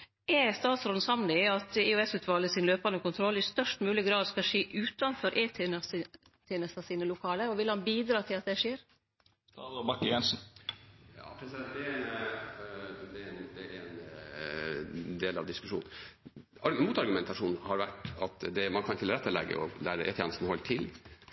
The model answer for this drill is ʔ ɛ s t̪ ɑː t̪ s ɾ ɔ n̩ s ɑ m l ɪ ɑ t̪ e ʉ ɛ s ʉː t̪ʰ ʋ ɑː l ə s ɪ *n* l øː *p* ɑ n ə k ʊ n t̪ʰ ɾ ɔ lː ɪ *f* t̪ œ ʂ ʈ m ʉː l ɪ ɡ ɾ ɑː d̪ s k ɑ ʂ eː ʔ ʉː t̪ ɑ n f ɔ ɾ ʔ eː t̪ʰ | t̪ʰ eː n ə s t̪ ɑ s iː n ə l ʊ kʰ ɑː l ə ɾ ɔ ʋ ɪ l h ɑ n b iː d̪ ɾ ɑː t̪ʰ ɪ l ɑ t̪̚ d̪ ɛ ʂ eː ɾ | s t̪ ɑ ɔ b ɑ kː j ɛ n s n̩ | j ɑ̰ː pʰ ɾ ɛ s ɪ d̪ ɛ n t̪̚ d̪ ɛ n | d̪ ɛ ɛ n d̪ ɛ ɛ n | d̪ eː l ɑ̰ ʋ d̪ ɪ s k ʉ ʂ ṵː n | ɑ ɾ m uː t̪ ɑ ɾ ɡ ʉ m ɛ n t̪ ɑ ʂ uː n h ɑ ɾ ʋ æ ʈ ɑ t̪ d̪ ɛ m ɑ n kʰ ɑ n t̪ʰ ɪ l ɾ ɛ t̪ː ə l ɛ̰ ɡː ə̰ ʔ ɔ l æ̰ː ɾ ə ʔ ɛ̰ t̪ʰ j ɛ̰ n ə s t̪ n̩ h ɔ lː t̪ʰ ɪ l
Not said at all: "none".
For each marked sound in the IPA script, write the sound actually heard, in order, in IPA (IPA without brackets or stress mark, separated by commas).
n, p, s